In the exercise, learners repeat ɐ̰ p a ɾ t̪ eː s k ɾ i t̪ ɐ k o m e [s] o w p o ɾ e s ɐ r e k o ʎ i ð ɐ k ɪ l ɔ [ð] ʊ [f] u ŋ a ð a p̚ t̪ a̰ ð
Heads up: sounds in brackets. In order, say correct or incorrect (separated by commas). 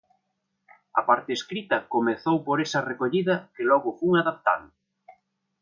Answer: incorrect, incorrect, correct